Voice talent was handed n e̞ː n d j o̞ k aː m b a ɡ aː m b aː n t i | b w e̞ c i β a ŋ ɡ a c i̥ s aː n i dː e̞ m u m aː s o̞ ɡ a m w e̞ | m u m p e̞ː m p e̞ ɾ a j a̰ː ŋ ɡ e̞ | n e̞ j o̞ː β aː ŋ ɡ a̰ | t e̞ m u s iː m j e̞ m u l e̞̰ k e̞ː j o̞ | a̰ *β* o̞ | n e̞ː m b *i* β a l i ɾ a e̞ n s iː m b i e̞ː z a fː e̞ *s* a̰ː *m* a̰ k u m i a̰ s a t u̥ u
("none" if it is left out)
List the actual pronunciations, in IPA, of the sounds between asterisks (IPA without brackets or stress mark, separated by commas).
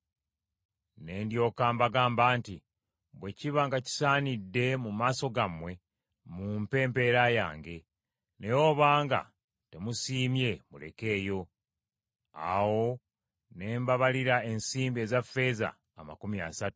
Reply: w, a, z, m